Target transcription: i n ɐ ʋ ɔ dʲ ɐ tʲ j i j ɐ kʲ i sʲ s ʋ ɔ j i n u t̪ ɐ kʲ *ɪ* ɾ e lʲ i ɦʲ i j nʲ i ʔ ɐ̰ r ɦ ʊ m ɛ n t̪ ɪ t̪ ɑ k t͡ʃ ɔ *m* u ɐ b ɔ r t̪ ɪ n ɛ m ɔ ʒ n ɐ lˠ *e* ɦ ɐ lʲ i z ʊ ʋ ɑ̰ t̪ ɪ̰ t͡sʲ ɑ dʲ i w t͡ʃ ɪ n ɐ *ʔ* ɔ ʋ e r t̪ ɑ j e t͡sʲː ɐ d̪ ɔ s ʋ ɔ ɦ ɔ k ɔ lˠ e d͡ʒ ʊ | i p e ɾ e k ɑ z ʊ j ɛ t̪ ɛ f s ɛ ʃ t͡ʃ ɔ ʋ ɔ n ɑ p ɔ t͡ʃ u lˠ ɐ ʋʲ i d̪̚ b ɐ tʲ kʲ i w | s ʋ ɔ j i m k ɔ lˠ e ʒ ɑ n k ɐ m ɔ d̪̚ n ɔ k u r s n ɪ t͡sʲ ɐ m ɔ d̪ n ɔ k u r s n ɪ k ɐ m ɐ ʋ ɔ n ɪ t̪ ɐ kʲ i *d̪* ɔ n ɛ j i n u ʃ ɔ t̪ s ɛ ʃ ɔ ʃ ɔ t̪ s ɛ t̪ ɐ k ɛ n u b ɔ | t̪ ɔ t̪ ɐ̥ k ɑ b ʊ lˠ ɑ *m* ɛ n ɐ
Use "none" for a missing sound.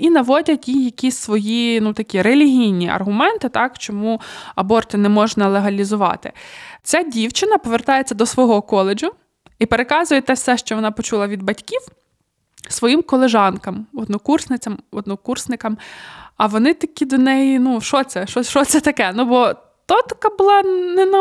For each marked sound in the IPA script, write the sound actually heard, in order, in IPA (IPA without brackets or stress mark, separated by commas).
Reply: i, m, e, p, d̪, n